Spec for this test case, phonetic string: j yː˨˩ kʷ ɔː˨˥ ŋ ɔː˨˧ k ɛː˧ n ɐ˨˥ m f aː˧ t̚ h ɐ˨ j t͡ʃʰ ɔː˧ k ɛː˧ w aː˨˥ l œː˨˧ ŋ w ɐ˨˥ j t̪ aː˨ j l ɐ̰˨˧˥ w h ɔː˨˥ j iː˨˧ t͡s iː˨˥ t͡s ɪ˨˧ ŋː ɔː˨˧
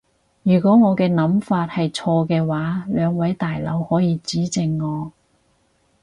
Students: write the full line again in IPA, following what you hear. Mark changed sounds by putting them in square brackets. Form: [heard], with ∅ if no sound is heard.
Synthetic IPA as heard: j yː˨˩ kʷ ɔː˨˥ ŋ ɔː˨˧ k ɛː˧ n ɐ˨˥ m f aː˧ t̚ h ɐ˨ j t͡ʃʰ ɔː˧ k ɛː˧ w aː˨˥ l œː˨˧ ŋ w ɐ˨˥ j t̪ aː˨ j l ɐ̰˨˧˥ w h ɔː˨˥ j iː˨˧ t͡s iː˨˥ t͡s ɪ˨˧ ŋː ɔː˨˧